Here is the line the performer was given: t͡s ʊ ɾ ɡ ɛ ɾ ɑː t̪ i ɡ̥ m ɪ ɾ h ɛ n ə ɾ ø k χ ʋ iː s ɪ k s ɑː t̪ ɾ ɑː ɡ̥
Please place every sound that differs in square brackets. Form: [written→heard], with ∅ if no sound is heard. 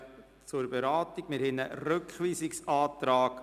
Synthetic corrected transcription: t͡s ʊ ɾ [ɡ→b] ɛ ɾ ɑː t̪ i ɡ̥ m ɪ ɾ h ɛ n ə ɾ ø k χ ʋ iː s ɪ k s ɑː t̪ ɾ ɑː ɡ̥